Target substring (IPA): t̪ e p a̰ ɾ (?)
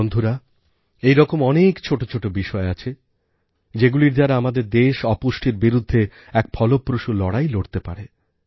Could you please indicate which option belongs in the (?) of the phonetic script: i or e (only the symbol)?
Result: e